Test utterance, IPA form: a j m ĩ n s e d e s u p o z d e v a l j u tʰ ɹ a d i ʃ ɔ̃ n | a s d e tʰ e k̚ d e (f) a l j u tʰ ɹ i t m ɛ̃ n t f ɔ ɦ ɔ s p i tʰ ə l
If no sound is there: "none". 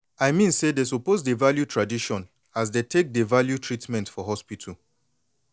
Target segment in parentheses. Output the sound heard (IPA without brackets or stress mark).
v